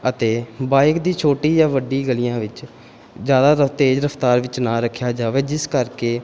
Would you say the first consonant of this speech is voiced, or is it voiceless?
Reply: voiceless